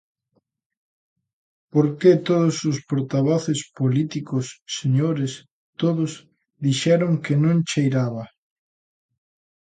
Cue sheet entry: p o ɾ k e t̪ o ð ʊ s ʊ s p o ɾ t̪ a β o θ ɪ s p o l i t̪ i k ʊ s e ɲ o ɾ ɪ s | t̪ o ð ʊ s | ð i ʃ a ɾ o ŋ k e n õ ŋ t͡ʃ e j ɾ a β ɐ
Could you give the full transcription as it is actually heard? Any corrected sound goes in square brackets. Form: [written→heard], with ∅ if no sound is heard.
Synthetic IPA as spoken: p o ɾ k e t̪ o ð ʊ s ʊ s p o ɾ t̪ a β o θ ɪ s p o l i t̪ i k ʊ [s→sː] e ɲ o ɾ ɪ s | t̪ o ð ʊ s | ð i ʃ [a→ɛ] ɾ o ŋ k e n õ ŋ t͡ʃ e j ɾ a β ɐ